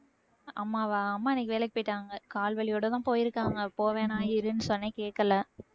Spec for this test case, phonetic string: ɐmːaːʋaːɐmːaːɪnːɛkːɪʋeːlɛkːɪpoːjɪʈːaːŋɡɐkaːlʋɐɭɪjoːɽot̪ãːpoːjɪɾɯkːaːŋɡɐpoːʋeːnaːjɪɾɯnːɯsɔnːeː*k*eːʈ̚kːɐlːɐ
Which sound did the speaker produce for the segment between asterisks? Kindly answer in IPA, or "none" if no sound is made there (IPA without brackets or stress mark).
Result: k